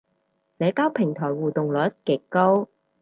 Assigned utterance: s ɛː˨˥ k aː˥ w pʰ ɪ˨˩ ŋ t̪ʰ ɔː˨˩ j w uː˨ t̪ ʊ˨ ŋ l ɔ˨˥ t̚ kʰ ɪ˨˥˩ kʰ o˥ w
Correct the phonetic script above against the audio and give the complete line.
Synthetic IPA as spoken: s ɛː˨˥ k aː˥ w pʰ ɪ˨˩ ŋ t̪ʰ ɔː˨˩ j w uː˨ t̪ ʊ˨ ŋ l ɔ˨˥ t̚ k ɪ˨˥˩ k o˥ w